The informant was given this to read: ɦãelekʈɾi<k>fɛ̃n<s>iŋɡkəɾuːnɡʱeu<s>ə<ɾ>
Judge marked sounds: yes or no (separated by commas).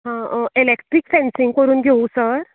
yes, yes, yes, yes